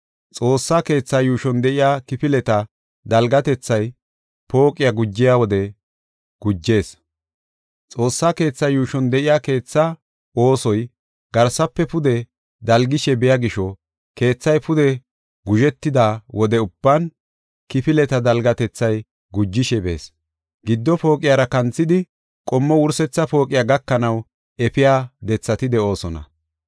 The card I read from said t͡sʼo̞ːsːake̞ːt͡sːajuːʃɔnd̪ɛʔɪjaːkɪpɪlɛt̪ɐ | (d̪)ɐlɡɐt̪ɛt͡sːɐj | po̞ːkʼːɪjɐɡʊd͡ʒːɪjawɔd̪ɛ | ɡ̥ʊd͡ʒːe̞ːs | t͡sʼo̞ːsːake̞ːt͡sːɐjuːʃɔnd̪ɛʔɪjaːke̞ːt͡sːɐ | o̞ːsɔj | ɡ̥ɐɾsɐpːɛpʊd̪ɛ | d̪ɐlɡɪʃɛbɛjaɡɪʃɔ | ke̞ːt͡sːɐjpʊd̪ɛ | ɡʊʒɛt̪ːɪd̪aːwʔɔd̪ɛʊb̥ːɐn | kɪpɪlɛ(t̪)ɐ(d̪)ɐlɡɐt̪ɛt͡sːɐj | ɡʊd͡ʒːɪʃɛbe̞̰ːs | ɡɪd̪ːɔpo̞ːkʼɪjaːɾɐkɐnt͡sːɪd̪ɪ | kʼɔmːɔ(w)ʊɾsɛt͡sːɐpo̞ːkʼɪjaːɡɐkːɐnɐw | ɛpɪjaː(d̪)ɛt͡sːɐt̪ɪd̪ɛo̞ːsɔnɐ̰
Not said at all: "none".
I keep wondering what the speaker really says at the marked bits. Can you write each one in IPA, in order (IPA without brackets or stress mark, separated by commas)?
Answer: d̪, t̪, d̪, w, d̪